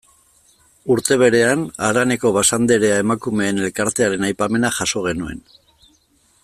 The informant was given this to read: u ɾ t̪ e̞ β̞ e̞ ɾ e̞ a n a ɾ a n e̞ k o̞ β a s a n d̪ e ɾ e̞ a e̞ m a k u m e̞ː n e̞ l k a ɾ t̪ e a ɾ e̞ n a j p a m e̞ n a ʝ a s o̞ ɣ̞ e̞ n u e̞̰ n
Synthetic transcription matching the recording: u ɾ t̪ e̞ β̞ e̞ ɾ e̞ a n a ɾ a n e̞ k o̞ β a s a n d̪ e ɾ e̞ a e̞ m a k u m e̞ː n e̞ l k a ɾ t̪ e a ɾ e̞ n a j p a m e̞ n a ʝ a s o̞ ɣ̞ e̞ n u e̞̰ n